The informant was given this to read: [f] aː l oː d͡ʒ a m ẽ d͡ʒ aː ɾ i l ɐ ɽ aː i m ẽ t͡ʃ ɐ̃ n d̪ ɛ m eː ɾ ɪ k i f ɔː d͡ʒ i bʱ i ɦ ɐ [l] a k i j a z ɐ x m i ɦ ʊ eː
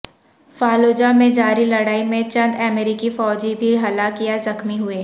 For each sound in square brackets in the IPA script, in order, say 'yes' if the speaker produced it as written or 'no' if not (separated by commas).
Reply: yes, yes